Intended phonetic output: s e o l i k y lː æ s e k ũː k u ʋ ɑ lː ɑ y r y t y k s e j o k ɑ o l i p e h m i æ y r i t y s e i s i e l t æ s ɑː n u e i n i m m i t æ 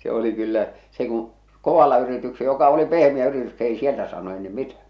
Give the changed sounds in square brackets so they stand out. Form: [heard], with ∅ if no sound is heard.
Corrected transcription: s e o l i k y lː æ s e k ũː k [o] ʋ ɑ lː ɑ y r [i] t y k s e j o k ɑ o l i p e h m i æ y r i t y s e i s i e l t æ s ɑː n u e i n i m m i t æ